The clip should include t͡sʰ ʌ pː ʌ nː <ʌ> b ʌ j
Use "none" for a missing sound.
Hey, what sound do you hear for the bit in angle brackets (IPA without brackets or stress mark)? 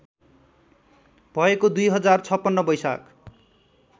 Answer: ʌ